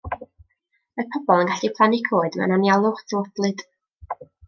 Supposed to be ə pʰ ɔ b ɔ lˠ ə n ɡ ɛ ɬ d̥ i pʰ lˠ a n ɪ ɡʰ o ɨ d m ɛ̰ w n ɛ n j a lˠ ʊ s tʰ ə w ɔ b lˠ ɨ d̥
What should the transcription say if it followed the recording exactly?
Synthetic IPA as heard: ə pʰ ɔ b ɔ lˠ ə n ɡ a ɬ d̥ i pʰ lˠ a n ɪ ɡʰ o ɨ d m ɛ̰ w n a n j a lˠ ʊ χ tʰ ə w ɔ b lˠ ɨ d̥